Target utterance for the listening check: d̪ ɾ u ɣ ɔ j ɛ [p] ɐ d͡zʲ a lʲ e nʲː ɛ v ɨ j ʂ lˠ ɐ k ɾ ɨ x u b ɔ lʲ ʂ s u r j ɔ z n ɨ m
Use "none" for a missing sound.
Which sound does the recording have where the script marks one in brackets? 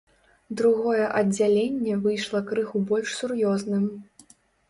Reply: ʔ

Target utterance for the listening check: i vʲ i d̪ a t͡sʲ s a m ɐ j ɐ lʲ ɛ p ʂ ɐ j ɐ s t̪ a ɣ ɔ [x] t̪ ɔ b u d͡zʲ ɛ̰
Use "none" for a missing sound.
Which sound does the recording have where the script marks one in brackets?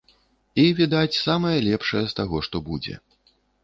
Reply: ʂ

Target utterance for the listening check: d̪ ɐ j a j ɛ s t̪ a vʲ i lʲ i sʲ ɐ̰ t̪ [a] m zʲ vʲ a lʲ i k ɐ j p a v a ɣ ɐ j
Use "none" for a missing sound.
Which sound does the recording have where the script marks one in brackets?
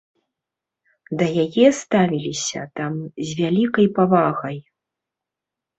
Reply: a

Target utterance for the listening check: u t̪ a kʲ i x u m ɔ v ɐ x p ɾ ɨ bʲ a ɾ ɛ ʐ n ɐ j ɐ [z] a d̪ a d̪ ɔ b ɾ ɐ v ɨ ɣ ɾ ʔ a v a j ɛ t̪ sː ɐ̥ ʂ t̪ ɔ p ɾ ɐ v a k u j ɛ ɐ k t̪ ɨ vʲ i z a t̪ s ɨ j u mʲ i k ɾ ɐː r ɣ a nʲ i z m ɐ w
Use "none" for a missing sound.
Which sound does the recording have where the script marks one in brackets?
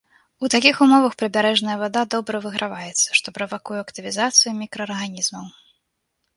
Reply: v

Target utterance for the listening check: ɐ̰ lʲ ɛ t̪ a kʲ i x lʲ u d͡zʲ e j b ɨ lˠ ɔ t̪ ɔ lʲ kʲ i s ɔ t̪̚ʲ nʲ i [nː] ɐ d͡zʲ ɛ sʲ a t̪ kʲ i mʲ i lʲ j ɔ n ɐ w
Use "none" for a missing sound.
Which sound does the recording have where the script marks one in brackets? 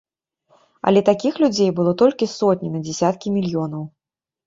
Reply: n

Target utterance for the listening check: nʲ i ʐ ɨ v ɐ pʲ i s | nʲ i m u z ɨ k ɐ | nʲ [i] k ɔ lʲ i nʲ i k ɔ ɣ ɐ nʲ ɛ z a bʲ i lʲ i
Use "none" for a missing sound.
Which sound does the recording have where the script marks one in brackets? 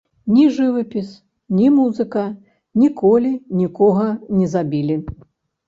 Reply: i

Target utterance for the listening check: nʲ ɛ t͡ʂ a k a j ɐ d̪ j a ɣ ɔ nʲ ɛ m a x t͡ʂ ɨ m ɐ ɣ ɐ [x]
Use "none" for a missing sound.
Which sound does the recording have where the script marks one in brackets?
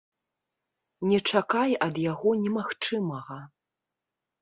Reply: none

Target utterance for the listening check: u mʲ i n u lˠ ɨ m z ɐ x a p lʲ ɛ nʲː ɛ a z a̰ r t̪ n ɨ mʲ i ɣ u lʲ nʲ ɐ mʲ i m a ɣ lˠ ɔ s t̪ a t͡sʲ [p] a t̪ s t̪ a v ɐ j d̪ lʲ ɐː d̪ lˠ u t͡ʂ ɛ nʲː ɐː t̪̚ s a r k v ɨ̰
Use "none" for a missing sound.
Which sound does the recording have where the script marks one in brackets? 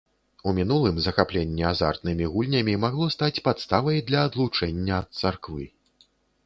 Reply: p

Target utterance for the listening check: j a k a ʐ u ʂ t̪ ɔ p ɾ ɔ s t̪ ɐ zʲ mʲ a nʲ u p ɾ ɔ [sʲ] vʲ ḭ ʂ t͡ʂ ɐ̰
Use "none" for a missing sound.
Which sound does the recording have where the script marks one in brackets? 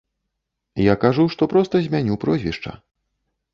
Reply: zʲ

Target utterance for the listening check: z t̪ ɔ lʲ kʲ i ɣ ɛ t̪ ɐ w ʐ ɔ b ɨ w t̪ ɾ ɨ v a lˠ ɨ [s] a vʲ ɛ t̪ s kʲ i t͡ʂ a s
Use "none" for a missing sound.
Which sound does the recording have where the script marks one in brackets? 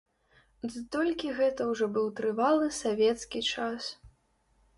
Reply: s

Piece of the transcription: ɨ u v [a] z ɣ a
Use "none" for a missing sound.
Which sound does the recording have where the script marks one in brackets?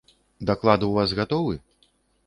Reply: a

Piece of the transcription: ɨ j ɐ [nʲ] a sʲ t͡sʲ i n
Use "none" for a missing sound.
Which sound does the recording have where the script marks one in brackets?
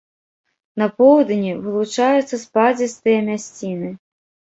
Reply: mʲ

